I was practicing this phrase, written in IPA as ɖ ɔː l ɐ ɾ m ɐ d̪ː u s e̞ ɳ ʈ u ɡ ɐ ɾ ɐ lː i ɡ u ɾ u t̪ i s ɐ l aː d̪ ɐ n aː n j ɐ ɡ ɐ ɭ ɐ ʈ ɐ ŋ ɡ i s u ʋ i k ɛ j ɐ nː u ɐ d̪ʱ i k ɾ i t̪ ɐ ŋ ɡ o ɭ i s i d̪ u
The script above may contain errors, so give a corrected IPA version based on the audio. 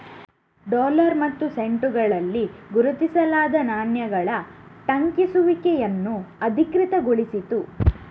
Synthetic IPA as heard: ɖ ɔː l ɐ ɾ m ɐ t̪ː u s e̞ ɳ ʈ u ɡ ɐ ɭ ɐ lː i ɡ u ɾ u t̪ i s ɐ l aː d̪ ɐ n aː n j ɐ ɡ ɐ ɭ ɐ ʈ ɐ ŋ k i s u ʋ i k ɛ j ɐ nː u ɐ d̪ʱ i k ɾ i t̪ ɐ ɡ o ɭ i s i t̪ u